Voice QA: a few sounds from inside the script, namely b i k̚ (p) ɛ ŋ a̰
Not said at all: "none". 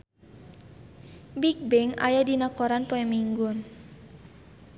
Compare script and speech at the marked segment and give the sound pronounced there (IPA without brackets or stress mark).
b